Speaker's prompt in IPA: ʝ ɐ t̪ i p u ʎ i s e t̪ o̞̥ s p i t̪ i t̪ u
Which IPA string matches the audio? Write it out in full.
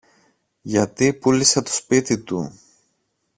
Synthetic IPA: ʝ ɐ t̪ i p u l i s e t̪ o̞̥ s p i t̪ i t̪ u

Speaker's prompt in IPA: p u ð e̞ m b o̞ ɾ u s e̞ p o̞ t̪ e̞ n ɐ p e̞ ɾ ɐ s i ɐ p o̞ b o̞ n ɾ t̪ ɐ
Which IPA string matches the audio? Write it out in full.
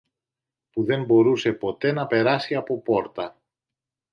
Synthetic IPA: p u ð e̞ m b o̞ ɾ u s e̞ p o̞ t̪ e̞ n ɐ p e̞ ɾ ɐ s i ɐ p o̞ p o̞ ɾ t̪ ɐ

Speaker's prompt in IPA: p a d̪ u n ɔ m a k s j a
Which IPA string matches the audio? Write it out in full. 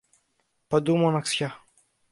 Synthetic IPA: p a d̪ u m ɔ n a k s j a

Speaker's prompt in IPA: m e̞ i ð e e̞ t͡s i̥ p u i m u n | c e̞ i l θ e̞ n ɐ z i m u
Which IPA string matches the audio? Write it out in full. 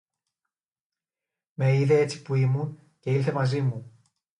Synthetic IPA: m e̞ i ð e e̞ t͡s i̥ p u i m u n | c e̞ i l θ e̞ m ɐ z i m u

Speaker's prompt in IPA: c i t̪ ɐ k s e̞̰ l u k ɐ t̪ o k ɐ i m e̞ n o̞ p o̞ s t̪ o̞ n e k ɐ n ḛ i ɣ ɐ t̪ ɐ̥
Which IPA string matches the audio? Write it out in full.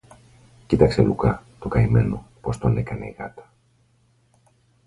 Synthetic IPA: c i t̪ ɐ k s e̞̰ l u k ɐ t̪ o k ɐ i m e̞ n o̞ p o̞ s t̪ o̞ n e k ɐ n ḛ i ɣ ɐ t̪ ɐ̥

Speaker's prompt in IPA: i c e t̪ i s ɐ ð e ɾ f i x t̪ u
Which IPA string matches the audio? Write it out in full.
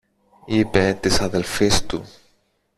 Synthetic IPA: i p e t̪ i s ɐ ð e l f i s t̪ u

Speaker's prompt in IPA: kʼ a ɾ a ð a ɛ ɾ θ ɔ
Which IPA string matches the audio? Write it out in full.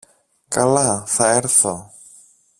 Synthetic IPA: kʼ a l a θ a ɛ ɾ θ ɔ

